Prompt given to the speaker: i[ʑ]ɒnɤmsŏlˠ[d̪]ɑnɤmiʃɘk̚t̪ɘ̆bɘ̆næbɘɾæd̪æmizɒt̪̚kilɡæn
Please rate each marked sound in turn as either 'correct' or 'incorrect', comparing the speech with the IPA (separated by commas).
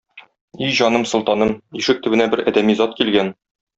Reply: correct, incorrect